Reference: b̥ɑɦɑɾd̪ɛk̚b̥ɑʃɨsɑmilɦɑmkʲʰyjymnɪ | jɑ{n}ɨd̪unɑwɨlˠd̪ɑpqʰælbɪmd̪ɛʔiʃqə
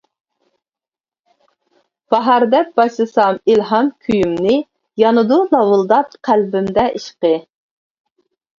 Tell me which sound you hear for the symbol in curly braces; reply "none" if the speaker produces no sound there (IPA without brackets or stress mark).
n